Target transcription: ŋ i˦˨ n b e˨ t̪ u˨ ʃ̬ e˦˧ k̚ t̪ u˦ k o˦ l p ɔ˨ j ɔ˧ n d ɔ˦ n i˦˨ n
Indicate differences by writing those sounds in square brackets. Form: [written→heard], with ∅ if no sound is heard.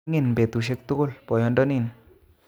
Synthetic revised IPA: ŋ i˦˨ n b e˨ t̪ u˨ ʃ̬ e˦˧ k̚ t̪ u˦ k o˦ l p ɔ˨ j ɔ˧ n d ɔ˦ n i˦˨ n